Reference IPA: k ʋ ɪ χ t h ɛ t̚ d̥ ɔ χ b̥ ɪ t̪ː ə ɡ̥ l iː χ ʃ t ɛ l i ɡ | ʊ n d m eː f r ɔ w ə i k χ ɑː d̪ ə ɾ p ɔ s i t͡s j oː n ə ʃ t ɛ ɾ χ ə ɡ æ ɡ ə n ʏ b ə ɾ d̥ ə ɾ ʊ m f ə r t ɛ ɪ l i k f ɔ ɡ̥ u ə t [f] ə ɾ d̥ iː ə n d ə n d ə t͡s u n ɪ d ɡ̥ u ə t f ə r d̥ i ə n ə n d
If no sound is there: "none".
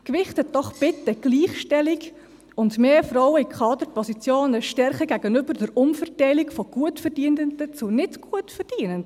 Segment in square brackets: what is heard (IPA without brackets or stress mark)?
f